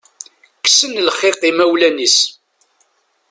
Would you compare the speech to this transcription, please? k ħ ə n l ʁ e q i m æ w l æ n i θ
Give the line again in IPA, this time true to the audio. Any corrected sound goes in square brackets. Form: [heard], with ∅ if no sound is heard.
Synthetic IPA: k [s] ə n l [χ] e q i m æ w l æ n i [s]